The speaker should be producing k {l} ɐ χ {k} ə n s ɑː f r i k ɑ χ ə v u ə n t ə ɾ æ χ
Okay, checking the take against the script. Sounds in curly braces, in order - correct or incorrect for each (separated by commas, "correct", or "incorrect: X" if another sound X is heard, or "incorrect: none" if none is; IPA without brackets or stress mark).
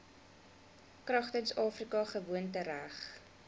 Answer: incorrect: r, incorrect: t